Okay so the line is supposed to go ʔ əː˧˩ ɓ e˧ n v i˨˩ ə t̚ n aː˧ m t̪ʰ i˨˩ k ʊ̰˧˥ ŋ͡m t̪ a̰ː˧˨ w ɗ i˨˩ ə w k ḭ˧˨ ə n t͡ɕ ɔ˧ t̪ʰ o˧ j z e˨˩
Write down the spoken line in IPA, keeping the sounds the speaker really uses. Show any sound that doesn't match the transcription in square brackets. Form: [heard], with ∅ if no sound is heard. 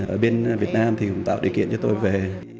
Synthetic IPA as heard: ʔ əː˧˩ ɓ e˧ n v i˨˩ ə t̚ n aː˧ m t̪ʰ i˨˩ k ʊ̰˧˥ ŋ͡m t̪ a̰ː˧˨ w ɗ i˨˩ ə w k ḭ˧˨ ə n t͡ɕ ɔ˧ [t̪] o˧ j [v] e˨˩